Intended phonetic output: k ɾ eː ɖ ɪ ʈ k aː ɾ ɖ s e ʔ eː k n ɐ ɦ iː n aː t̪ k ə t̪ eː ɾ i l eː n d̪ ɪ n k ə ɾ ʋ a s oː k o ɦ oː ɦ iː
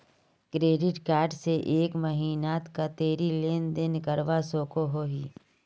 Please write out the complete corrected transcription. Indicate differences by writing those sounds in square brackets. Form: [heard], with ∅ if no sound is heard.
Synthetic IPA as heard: k ɾ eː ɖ ɪ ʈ k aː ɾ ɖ s e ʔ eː k [m] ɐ ɦ iː n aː t̪ k [a] t̪ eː ɾ i l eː n d̪ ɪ n k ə ɾ ʋ a s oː k o ɦ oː ɦ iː

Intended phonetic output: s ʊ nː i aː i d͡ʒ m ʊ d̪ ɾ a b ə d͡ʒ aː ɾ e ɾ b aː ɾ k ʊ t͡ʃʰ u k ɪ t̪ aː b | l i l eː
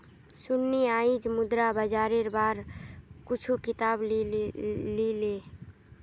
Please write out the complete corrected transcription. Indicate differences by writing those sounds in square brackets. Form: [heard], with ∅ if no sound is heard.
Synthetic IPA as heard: s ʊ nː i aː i d͡ʒ m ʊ d̪ ɾ a b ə d͡ʒ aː ɾ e ɾ b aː ɾ k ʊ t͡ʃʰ u k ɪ t̪ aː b | l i l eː

